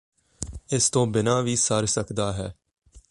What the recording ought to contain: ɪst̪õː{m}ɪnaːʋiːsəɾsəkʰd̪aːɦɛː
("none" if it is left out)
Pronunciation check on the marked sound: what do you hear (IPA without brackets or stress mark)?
b